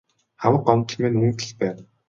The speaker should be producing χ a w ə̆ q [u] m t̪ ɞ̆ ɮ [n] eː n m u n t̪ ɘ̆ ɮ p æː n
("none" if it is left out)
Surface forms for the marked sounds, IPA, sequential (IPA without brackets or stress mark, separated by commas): ɔ, m